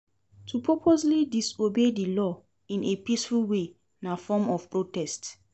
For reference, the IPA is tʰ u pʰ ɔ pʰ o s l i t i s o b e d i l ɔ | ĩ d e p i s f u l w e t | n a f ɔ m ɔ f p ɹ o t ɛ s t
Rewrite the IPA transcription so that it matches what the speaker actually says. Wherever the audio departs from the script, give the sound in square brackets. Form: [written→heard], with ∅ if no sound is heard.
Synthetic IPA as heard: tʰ u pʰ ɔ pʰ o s l i [t→d] i s o b e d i l ɔ | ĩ [d→n] e p i s f u l w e [t→∅] | n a f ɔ m ɔ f p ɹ o t ɛ s t